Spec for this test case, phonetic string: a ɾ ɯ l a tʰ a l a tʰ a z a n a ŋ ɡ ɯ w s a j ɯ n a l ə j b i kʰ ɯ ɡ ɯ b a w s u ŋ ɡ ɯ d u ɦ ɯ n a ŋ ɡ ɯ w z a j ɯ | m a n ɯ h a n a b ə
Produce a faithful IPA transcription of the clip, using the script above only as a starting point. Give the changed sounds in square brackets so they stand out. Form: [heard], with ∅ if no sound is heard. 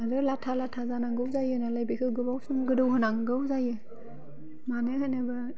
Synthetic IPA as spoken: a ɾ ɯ l a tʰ a l a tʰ a z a n a ŋ ɡ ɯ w [z] a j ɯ n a l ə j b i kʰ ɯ ɡ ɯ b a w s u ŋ ɡ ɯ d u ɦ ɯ n a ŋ ɡ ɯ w z a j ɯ | m a n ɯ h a n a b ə